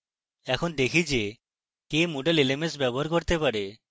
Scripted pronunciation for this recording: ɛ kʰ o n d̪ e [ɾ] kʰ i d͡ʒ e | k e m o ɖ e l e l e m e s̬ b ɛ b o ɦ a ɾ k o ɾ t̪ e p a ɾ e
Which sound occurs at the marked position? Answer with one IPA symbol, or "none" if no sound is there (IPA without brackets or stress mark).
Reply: none